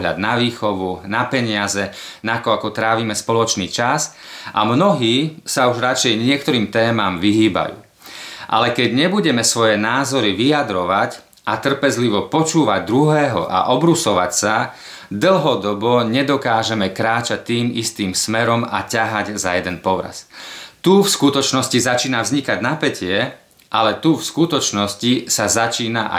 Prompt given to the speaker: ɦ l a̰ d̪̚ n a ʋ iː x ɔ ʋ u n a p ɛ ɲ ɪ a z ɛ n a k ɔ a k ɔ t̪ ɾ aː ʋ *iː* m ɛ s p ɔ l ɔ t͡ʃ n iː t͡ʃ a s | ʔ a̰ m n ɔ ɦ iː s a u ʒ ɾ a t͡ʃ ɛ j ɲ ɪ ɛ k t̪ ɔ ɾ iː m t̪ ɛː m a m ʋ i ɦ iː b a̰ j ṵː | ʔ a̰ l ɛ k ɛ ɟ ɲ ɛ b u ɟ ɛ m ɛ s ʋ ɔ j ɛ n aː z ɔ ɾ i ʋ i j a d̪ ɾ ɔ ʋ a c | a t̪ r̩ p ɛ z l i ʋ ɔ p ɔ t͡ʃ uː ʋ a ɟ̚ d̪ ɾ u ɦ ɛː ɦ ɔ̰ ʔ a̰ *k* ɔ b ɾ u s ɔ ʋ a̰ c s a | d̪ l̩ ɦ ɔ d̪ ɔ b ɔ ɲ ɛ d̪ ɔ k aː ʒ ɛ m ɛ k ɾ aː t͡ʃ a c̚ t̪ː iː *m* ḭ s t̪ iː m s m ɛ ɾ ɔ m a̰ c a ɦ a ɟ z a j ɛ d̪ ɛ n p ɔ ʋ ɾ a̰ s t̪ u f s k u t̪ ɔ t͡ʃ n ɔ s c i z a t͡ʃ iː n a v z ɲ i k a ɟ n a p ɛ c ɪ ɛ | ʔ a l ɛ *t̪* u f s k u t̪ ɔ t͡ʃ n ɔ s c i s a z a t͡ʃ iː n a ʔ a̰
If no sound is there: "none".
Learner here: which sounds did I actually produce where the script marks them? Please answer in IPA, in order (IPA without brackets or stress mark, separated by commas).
iː, ʔ, m, t̪